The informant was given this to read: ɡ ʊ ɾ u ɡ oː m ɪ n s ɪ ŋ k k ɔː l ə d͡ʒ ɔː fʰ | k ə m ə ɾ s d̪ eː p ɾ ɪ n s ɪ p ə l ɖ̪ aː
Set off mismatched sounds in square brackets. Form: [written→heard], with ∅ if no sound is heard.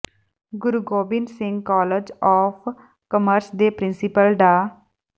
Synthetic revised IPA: ɡ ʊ ɾ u ɡ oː [m→b] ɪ n s ɪ ŋ [k→ɡ] k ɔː l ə d͡ʒ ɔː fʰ | k ə m ə ɾ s d̪ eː p ɾ ɪ n s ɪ p ə l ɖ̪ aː

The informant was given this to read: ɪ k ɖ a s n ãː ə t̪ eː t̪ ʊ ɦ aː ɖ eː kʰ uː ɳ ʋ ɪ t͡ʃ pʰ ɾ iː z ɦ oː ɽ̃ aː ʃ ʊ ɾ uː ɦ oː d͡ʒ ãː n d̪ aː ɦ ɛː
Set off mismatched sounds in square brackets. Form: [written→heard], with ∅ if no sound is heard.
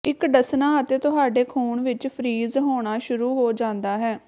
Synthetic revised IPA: ɪ k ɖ [a→ə] s n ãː ə t̪ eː t̪ ʊ ɦ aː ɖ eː kʰ uː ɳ ʋ ɪ t͡ʃ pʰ ɾ iː z ɦ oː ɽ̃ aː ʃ ʊ ɾ uː ɦ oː d͡ʒ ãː n d̪ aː ɦ ɛː

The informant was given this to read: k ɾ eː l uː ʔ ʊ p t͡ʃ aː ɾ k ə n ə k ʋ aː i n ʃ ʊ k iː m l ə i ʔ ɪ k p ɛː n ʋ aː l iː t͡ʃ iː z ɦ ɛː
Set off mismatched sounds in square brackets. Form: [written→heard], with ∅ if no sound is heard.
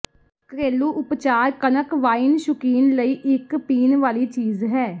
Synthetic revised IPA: k ɾ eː l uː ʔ ʊ p t͡ʃ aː ɾ k ə n ə k ʋ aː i n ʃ ʊ k iː [m→n] l ə [i→iː] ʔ ɪ k p [ɛː→iː] n ʋ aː l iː t͡ʃ iː z ɦ ɛː

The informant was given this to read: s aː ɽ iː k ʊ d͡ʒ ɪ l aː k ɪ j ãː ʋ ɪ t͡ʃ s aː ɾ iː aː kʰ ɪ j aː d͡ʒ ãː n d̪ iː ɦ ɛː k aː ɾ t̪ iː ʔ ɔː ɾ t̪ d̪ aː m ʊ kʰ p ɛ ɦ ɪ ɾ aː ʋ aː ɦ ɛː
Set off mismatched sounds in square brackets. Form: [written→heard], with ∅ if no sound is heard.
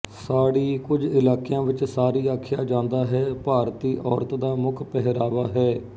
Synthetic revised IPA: s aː ɽ iː k ʊ d͡ʒ ɪ l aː k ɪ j ãː ʋ ɪ t͡ʃ s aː ɾ iː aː kʰ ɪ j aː d͡ʒ ãː n d̪ [iː→aː] ɦ ɛː [k→p] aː ɾ t̪ iː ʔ ɔː ɾ t̪ d̪ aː m ʊ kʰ p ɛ ɦ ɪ ɾ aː ʋ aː ɦ ɛː

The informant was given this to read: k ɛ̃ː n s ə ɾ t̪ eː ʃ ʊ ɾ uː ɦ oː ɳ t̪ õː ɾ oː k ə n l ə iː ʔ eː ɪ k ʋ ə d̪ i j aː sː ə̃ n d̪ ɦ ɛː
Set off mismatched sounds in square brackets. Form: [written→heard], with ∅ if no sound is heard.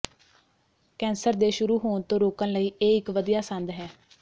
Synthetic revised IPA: k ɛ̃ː n s ə ɾ [t̪→d̪] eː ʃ ʊ ɾ uː ɦ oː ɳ t̪ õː ɾ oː k ə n l ə iː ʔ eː ɪ k ʋ ə d̪ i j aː [sː→s] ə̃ n d̪ ɦ ɛː

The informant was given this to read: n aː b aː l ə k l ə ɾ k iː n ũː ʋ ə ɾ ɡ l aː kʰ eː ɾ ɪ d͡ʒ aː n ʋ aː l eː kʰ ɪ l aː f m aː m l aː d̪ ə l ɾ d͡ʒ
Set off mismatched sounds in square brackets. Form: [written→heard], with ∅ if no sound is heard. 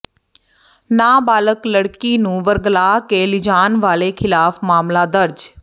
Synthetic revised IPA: n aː b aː l ə k l ə [ɾ→ɽ] k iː n ũː ʋ ə ɾ ɡ l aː [kʰ→k] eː [ɾ→l] ɪ d͡ʒ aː n ʋ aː l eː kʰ ɪ l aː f m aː m l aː d̪ ə [l→∅] ɾ d͡ʒ

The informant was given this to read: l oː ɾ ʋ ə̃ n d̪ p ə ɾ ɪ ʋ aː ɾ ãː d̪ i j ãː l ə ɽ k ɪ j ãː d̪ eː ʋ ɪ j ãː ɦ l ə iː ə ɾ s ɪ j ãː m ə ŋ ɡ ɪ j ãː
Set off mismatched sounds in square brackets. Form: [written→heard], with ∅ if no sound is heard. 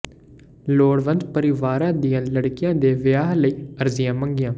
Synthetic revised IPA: l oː [ɾ→ɽ] ʋ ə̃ n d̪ p ə ɾ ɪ ʋ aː ɾ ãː d̪ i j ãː l ə ɽ k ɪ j ãː d̪ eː ʋ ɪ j [ãː→aː] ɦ l ə iː ə ɾ [s→z] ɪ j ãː m ə ŋ ɡ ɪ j ãː

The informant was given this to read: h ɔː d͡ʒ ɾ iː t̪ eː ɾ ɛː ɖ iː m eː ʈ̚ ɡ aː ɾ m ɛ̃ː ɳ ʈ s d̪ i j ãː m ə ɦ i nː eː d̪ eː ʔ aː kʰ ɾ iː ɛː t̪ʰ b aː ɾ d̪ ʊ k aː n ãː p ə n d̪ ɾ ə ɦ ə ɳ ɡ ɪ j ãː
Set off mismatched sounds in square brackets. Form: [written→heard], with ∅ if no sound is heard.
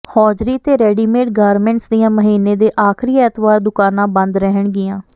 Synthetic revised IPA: h ɔː d͡ʒ ɾ iː t̪ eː ɾ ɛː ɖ iː m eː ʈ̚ ɡ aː ɾ m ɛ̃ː ɳ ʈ s d̪ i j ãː m ə ɦ [i→iː] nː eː d̪ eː ʔ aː kʰ ɾ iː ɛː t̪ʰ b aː ɾ d̪ ʊ k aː n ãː [p→b] ə n d̪ ɾ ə ɦ ə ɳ ɡ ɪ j ãː

